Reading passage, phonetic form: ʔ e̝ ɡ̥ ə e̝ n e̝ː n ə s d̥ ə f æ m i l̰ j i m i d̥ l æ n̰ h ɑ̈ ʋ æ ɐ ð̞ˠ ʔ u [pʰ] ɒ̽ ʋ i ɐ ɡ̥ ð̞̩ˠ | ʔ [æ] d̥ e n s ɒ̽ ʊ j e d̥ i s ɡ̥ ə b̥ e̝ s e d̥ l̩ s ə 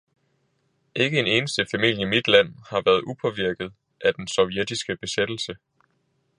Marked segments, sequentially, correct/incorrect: correct, correct

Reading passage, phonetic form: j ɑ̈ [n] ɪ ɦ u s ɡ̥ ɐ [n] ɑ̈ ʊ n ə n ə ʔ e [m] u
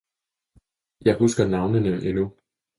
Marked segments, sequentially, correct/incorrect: incorrect: none, correct, incorrect: n

